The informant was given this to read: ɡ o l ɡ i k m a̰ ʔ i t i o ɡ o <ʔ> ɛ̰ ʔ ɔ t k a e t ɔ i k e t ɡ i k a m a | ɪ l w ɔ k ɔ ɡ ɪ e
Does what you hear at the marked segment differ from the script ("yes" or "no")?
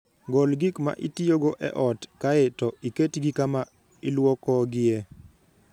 no